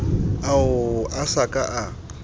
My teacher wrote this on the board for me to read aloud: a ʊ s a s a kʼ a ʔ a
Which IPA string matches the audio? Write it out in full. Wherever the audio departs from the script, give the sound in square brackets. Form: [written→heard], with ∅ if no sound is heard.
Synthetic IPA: a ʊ [s→∅] a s a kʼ a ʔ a